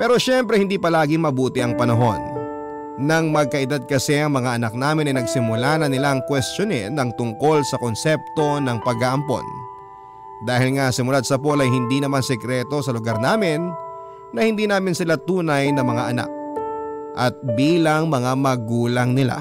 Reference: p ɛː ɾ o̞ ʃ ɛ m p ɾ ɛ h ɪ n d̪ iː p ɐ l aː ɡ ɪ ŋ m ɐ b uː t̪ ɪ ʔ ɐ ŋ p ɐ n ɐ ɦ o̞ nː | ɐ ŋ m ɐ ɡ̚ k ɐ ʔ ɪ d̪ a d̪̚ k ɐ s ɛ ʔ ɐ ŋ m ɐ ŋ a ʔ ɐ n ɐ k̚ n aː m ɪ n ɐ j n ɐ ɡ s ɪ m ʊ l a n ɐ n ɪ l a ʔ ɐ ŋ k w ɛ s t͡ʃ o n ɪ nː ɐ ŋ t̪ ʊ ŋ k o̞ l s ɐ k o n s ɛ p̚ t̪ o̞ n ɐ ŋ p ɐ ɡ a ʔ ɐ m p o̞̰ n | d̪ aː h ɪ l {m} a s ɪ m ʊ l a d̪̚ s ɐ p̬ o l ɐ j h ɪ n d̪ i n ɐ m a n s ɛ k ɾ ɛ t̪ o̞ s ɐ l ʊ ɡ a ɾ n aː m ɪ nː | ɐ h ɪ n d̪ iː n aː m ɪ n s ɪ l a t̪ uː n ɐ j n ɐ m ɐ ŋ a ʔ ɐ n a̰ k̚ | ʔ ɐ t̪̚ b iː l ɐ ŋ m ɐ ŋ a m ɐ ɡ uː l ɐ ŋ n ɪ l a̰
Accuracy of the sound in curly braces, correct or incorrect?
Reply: incorrect